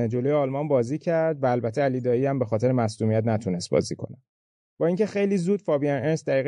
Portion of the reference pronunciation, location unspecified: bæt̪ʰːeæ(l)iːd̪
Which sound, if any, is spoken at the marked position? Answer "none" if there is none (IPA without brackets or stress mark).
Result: l